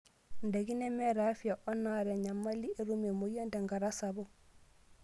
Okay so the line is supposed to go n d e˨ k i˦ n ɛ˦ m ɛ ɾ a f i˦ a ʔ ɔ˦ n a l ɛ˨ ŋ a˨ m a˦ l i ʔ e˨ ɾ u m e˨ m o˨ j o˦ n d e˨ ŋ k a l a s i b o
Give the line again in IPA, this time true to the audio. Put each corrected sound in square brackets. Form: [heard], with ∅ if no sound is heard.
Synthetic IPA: n d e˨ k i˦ n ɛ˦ m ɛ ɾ a f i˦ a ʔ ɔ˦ n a [ɾ] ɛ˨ [ɲ] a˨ m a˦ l i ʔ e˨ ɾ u m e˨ m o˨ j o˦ n d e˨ ŋ [ɡ] a [ɾ] a s [a] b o